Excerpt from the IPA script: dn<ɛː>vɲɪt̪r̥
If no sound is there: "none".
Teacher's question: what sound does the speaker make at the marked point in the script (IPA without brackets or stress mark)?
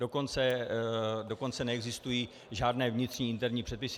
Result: ɛː